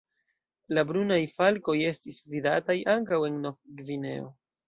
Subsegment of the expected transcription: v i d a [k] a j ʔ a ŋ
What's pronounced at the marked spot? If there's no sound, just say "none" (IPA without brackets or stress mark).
t